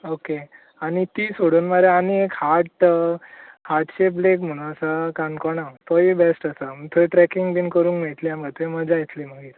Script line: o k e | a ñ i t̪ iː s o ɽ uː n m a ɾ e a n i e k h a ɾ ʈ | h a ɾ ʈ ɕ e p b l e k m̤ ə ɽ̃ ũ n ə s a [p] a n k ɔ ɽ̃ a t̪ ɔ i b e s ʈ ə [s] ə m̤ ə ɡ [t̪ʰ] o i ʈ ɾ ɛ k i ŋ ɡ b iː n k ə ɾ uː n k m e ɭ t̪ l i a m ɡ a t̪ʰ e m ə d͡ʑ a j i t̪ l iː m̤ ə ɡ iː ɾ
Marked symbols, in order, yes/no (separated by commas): no, yes, yes